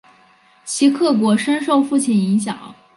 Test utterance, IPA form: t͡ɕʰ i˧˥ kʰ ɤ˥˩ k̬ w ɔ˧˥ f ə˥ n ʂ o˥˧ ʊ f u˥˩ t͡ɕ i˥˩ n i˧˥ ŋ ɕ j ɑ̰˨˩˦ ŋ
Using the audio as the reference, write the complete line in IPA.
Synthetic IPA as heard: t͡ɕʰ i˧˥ kʰ ɤ˥˩ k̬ w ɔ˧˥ ʂ ə˥ n ʂ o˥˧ ʊ f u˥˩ t͡ɕʰ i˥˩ n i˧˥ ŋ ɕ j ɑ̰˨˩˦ ŋ